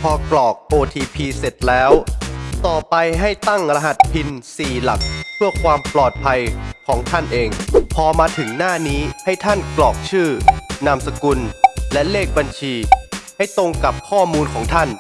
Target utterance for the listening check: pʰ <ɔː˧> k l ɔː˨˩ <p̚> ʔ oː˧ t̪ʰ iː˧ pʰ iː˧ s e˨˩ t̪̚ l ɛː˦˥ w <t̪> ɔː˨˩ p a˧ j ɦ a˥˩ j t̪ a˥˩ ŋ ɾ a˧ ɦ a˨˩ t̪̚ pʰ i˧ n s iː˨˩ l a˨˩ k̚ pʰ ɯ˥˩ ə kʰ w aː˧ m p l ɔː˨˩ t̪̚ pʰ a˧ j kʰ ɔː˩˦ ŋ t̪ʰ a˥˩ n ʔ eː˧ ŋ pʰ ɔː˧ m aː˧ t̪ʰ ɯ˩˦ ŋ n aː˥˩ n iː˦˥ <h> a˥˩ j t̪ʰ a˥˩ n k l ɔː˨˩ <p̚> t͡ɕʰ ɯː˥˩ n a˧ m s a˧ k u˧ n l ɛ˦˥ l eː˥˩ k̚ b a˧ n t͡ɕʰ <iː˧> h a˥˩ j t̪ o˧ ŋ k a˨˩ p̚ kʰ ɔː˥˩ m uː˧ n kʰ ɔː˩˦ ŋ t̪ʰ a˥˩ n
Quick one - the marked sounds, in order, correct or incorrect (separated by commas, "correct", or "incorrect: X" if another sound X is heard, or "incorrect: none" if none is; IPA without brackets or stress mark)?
correct, incorrect: k̚, correct, correct, incorrect: k̚, correct